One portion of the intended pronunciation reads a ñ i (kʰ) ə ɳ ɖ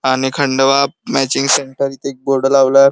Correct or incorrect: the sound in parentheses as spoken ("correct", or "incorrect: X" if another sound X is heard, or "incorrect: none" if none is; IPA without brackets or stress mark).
correct